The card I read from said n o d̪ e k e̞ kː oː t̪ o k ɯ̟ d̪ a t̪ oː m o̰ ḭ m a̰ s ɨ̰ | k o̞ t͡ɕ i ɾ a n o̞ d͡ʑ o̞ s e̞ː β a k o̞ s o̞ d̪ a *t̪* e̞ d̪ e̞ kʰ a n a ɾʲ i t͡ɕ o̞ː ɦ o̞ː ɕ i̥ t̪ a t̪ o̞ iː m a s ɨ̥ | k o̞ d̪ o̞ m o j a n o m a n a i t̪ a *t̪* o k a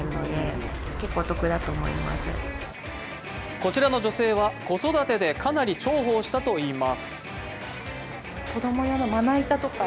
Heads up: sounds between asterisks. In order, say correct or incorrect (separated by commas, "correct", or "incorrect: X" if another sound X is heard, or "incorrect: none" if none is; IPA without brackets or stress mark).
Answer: correct, correct